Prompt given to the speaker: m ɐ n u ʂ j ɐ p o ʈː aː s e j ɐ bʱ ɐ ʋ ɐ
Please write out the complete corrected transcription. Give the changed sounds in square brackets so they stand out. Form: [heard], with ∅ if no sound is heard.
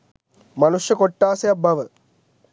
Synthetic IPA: m ɐ n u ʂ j ɐ [k] o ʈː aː s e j ɐ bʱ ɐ ʋ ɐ